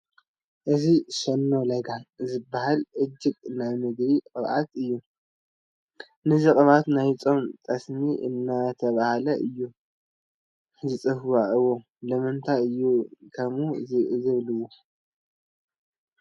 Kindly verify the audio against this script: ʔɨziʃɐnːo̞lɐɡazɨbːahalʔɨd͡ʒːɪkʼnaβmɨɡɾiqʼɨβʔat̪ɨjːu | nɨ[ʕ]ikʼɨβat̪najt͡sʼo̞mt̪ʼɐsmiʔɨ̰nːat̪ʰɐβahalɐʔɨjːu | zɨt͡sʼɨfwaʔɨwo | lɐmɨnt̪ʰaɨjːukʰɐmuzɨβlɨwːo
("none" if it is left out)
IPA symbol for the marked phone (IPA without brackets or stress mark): z